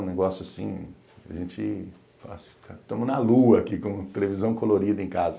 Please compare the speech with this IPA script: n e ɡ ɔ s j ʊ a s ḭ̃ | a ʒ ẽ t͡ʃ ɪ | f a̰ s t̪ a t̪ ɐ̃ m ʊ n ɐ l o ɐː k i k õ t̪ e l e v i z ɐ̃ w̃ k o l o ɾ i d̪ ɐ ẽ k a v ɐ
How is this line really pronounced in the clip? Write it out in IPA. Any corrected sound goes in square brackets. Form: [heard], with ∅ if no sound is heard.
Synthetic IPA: n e ɡ ɔ s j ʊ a s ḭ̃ | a ʒ ẽ t͡ʃ ɪ | f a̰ s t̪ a t̪ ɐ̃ m ʊ n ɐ l [u] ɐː k i k õ t̪ e l e v i z ɐ̃ w̃ k o l o ɾ i d̪ ɐ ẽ k a [z] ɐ